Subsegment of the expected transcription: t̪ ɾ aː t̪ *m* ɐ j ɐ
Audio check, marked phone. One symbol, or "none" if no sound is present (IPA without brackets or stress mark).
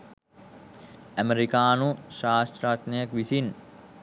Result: n